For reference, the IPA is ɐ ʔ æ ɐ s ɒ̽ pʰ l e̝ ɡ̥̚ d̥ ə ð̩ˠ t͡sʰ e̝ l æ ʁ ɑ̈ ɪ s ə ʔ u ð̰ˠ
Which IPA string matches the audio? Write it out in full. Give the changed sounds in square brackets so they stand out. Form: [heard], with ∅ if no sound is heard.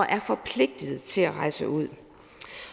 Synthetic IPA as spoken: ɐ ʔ æ ɐ [f] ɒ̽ pʰ l e̝ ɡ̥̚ d̥ ə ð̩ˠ t͡sʰ e̝ l æ ʁ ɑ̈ ɪ s ə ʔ u ð̰ˠ